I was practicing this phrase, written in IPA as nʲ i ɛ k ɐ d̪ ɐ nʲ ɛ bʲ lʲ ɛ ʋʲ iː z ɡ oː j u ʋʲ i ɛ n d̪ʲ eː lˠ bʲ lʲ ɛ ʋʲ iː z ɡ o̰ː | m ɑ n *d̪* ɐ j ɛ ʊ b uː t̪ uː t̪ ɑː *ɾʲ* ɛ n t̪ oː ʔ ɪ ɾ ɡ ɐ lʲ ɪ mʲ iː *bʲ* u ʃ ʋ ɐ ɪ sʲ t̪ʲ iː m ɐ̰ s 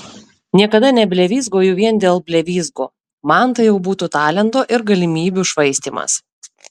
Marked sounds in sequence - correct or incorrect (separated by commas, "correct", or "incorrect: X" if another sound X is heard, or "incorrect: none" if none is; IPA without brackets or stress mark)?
incorrect: t̪, incorrect: lʲ, correct